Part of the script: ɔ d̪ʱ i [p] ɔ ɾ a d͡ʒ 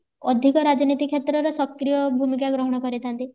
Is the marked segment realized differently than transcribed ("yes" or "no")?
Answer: yes